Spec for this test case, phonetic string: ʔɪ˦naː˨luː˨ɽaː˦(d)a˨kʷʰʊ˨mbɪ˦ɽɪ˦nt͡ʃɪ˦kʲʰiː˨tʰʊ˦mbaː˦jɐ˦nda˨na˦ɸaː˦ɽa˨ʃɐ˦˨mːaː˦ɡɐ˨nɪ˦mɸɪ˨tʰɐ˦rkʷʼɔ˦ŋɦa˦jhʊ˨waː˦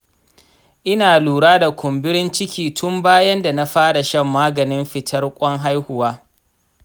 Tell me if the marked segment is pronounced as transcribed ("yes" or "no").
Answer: yes